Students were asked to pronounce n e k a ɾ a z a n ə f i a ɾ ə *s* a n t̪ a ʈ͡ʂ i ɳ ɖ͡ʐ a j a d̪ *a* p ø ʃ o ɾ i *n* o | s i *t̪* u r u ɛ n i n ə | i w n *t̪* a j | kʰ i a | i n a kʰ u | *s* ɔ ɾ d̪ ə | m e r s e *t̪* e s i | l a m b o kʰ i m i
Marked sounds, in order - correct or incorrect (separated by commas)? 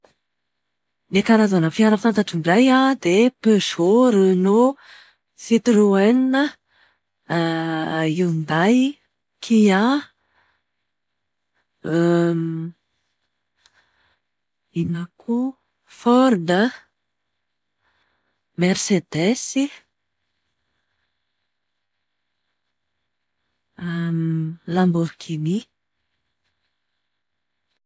incorrect, incorrect, correct, correct, incorrect, incorrect, incorrect